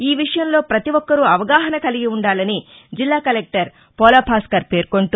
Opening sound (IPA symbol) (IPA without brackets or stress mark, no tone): iː